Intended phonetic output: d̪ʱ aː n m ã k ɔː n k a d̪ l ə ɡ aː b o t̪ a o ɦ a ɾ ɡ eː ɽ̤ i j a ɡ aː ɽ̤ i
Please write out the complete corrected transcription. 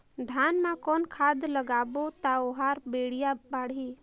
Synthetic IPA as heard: d̪ʱ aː n m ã k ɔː n kʰ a d̪ l ə ɡ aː b o t̪ a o ɦ a ɾ b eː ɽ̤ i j a b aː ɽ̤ i